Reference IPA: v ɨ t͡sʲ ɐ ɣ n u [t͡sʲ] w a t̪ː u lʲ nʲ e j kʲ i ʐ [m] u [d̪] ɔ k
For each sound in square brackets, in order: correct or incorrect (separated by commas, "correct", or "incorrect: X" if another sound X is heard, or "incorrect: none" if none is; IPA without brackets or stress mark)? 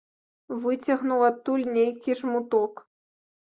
incorrect: none, correct, incorrect: t̪